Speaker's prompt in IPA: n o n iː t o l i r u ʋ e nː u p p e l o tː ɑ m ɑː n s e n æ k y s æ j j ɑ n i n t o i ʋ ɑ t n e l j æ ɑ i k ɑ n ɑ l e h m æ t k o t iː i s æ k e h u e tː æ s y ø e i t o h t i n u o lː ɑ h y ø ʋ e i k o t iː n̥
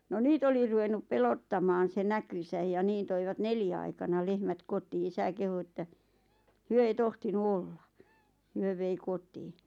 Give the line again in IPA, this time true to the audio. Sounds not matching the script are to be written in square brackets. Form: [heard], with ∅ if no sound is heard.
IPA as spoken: n o n iː t o l i r u ʋ e nː u p p e l o tː ɑ m ɑː n s e n æ k y s æ j j ɑ n [iː] n t o i ʋ ɑ t n e l j æ ɑ i k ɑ n ɑ l e h m æ t k o t iː i s æ k e h u e tː æ [h] y ø e i t o h t i n u o lː ɑ h y ø ʋ e i k o t iː n̥